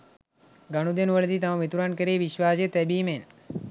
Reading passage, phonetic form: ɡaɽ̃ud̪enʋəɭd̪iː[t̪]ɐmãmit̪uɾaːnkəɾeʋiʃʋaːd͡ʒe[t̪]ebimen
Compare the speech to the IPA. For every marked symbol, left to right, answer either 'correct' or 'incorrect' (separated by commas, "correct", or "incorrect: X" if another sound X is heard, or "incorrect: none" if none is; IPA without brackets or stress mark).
correct, correct